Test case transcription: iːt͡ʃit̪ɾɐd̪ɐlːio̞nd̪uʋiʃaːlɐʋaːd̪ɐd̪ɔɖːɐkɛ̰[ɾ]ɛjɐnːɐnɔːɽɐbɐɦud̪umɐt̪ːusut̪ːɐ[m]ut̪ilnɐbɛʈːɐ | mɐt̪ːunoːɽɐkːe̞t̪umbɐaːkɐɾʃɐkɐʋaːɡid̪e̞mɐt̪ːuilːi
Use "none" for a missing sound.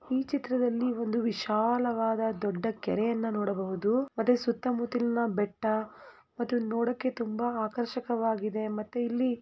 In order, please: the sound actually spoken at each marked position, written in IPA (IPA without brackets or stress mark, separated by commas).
ɾ, m